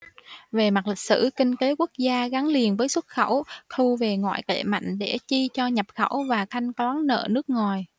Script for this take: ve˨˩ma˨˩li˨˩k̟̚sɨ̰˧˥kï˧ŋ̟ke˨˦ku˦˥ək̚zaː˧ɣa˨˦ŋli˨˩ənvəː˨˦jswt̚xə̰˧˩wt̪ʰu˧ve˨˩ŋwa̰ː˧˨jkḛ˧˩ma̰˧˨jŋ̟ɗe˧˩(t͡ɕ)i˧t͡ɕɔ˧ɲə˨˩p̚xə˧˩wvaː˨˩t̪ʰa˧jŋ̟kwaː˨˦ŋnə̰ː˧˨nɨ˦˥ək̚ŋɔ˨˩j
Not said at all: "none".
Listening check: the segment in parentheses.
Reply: t͡ɕ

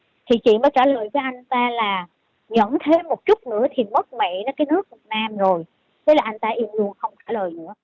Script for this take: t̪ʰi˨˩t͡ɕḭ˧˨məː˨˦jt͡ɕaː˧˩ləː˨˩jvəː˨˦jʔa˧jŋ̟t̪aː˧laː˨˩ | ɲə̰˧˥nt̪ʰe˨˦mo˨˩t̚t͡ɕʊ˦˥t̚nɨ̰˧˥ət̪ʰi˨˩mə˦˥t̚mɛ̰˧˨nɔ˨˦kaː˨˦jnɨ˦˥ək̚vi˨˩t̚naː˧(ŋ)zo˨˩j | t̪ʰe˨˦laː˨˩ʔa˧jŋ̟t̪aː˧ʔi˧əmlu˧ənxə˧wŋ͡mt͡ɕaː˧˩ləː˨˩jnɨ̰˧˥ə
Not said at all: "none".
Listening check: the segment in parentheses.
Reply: m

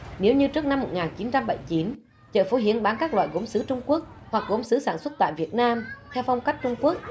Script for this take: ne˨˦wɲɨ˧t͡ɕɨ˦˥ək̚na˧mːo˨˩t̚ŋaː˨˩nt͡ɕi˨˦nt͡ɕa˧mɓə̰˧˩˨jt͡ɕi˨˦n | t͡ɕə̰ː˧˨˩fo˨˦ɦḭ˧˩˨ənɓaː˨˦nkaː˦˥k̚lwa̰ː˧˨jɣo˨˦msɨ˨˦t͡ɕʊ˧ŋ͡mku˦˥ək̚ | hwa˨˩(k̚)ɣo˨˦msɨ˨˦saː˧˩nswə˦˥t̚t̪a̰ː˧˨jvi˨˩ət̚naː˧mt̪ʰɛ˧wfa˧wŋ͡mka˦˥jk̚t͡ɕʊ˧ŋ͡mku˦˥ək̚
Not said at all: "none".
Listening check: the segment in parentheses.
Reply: k̚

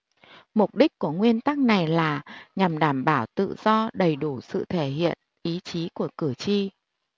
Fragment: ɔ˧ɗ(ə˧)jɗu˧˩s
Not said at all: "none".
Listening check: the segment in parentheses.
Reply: ə˨˩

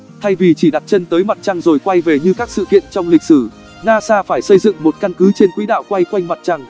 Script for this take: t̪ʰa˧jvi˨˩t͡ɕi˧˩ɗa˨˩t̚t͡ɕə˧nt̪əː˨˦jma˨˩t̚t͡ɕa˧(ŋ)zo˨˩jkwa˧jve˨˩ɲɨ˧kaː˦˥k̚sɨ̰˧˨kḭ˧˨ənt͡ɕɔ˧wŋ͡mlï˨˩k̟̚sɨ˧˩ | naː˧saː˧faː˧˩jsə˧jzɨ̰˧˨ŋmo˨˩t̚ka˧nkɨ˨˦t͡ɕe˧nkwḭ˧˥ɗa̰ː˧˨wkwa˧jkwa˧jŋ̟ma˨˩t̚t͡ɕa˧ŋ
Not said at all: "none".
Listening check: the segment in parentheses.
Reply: ŋ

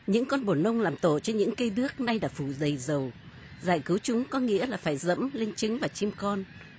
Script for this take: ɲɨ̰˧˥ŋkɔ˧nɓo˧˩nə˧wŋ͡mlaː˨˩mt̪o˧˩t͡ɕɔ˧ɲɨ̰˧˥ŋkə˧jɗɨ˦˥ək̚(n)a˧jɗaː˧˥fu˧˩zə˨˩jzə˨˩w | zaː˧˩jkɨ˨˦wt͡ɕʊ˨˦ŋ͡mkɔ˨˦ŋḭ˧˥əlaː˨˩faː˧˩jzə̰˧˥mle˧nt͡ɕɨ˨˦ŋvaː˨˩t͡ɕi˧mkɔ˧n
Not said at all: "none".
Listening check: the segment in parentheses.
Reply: n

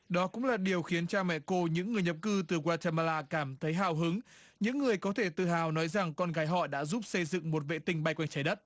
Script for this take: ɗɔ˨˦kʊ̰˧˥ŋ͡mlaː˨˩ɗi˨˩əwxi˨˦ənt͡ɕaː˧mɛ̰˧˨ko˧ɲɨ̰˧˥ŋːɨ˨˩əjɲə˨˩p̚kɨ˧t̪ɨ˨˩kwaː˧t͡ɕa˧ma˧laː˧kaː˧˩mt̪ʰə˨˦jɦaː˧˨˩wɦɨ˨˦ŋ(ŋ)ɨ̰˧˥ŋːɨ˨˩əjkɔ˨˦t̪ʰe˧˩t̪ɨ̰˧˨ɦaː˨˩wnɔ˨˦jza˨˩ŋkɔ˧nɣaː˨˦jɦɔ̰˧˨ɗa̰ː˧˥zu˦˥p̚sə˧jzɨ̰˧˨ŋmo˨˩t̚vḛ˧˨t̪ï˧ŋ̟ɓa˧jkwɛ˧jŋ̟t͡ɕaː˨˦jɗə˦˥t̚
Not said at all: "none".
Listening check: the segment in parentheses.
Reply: ɲ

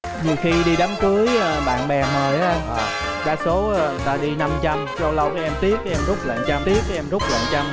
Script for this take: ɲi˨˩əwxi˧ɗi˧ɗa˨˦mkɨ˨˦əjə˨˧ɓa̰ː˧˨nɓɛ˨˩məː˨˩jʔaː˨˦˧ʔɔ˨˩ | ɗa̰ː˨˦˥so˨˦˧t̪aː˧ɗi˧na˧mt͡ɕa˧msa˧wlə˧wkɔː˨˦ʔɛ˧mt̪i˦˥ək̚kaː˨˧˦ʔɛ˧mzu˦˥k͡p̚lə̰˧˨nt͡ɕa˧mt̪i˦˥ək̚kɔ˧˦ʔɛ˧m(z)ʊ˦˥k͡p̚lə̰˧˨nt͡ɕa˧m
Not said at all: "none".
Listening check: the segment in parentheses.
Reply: z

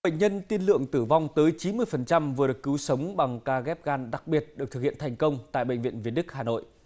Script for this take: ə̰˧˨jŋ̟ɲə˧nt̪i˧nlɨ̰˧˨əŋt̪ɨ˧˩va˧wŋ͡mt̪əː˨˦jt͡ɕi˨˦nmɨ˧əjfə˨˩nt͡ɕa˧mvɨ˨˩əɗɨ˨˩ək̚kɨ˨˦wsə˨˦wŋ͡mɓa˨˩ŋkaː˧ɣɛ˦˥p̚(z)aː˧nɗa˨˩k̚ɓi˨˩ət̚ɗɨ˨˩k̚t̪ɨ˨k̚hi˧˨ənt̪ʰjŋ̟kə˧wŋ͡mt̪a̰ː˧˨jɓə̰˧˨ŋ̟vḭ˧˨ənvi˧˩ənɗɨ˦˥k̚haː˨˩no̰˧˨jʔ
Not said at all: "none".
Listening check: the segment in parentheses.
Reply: ɣ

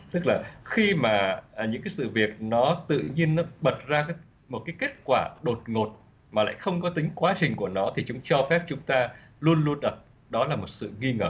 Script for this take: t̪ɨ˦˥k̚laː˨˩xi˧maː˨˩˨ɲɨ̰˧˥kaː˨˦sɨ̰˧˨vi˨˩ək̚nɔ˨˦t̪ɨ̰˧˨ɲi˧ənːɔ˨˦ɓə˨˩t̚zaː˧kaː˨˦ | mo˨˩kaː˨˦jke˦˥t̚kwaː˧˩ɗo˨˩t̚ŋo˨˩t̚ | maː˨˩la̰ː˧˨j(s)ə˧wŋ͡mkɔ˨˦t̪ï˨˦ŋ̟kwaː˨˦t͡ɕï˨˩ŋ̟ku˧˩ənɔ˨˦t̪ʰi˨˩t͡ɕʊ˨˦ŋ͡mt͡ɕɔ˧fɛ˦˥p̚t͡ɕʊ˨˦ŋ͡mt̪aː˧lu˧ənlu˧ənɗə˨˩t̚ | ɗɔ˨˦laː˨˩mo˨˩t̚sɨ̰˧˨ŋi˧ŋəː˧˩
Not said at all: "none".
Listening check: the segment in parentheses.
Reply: x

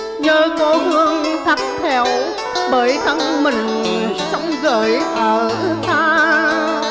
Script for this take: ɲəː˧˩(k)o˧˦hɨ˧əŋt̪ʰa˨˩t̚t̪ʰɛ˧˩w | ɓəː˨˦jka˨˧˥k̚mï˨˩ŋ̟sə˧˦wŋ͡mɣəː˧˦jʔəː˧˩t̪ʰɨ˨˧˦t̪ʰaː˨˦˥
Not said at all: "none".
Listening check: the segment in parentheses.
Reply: k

